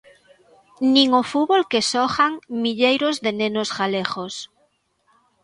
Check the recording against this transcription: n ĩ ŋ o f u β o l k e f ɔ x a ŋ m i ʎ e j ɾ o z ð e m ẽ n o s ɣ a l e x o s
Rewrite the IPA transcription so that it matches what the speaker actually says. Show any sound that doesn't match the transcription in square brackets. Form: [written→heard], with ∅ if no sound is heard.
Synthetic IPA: n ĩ ŋ o f u β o l k e [f→s] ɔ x a ŋ m i ʎ e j ɾ o z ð e [m→n] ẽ n o s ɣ a l e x o s

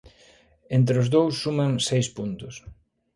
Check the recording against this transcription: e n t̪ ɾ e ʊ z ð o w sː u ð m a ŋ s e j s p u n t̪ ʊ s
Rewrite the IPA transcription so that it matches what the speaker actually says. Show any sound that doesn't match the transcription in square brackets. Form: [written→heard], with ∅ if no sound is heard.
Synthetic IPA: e n t̪ ɾ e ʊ z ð o w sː u [ð→∅] m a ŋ s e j s p u n t̪ ʊ s

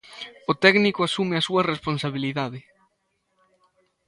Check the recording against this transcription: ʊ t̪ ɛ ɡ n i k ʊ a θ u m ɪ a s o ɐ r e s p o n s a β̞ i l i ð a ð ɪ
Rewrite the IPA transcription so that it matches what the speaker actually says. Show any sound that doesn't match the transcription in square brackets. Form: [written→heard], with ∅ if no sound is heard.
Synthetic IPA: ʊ t̪ ɛ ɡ n i k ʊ a [θ→s] u m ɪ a s [o→u] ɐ r e s p o n s a β̞ i l i ð a ð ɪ

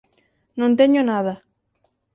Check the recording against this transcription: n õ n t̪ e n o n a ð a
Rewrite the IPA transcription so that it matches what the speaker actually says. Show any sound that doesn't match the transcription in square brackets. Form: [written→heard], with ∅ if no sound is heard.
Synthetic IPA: n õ n t̪ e [n→ɲ] o n a ð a

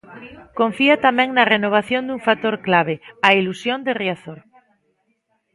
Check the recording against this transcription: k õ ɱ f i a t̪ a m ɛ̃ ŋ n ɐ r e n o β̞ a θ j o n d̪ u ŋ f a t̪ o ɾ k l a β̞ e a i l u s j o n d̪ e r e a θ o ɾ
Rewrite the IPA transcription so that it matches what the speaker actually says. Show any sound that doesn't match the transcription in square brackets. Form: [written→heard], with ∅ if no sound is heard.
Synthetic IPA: k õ ɱ f i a t̪ a m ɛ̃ ŋ n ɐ r e n o β̞ a θ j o n d̪ u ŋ f a t̪ o ɾ k l a β̞ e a i l u s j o n d̪ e r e a θ o ɾ

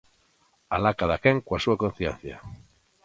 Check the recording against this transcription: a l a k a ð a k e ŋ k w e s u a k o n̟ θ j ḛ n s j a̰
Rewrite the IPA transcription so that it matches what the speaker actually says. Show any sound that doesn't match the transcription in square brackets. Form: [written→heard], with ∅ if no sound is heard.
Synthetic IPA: a l a k a ð a k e ŋ k w [e→a] s u a k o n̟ θ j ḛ n [s→θ] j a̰

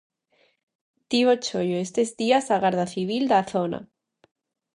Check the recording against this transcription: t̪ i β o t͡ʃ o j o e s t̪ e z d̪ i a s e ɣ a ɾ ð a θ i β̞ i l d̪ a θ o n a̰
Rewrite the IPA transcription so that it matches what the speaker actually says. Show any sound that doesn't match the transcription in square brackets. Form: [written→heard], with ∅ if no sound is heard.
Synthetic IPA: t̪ i β o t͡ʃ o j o e s t̪ e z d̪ i a s [e→a] ɣ a ɾ ð a θ i β̞ i l d̪ a θ o n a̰

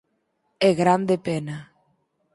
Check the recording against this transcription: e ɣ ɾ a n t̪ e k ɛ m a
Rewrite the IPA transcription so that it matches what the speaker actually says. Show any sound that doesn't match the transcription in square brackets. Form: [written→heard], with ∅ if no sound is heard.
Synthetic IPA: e ɣ ɾ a n [t̪→d̪] e [k→p] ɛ [m→n] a

